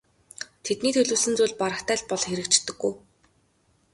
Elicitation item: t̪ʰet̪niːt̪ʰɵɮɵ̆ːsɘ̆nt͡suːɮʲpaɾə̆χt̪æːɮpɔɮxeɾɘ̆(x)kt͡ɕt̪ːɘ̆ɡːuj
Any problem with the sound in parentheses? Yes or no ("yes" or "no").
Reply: yes